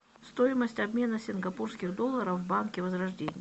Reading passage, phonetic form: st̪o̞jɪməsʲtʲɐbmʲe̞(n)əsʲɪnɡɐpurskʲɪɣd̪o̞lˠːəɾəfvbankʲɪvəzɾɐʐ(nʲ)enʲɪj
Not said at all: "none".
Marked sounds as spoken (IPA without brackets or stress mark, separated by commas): n, dʲ